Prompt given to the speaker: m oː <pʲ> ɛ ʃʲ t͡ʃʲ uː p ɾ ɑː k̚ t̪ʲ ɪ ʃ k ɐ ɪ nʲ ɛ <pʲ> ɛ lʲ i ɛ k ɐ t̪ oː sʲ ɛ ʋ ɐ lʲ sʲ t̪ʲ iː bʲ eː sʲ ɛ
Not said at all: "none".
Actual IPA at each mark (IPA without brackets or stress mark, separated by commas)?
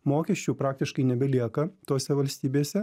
kʲ, bʲ